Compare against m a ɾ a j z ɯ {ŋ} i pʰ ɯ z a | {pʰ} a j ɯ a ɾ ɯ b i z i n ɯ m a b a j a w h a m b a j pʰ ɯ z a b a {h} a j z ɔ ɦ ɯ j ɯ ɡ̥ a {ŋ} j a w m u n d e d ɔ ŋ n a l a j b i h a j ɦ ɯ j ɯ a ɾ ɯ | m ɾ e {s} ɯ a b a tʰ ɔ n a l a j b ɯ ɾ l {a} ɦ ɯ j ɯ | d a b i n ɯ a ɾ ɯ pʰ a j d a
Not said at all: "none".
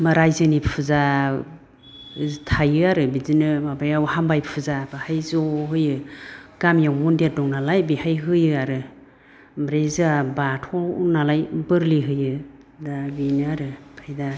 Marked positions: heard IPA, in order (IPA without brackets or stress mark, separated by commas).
n, tʰ, h, m, z, i